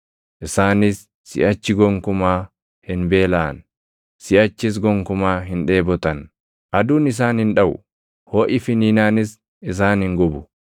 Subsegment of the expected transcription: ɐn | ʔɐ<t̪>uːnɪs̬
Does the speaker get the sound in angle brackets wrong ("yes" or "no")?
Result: yes